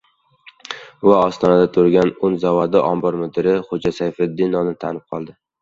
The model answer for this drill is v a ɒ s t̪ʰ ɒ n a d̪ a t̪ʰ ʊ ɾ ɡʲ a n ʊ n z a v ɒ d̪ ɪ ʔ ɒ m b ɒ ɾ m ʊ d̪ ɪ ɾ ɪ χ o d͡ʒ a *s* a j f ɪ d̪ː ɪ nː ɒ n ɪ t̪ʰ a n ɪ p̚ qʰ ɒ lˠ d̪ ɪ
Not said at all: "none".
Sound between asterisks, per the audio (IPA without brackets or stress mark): s